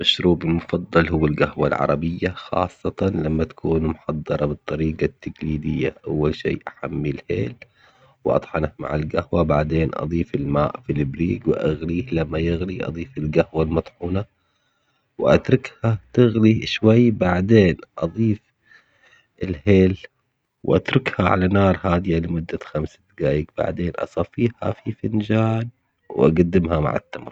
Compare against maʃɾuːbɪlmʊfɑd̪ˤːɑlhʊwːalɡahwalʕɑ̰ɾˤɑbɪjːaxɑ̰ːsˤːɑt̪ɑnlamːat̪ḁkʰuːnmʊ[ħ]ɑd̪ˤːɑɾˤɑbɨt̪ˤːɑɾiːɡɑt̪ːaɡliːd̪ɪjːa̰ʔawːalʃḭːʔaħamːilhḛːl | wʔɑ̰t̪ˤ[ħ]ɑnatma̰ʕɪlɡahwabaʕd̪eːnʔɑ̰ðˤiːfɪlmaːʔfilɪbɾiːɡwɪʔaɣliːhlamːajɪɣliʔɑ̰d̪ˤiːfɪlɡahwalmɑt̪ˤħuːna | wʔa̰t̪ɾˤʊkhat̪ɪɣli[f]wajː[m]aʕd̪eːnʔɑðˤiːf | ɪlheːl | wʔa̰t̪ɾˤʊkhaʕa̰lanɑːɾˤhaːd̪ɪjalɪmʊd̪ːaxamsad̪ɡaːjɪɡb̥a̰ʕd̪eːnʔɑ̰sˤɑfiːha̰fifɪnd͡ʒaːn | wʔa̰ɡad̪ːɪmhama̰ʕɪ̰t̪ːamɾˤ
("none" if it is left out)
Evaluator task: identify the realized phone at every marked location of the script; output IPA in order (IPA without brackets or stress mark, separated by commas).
ħ, ħ, ʃ, b